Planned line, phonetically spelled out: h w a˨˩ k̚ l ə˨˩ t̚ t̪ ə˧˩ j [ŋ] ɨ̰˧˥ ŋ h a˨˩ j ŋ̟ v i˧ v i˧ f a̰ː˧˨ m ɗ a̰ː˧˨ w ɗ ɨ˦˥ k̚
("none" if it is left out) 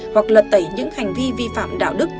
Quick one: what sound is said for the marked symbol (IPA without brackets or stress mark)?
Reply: ɲ